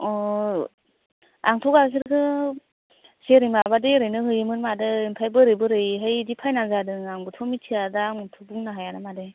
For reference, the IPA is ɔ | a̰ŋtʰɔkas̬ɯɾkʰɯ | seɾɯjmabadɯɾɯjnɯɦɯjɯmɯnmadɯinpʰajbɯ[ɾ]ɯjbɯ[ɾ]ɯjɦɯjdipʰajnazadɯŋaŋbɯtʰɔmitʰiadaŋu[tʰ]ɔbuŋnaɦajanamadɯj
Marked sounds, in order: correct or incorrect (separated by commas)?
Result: correct, correct, correct